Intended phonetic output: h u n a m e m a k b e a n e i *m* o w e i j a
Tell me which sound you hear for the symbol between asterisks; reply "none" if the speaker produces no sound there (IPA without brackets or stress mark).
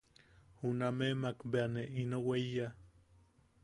n